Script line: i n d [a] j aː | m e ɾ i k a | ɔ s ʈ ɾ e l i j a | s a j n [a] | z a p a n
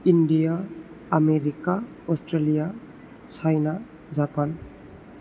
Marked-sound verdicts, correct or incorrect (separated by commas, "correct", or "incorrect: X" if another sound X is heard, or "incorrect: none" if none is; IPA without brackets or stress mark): incorrect: i, correct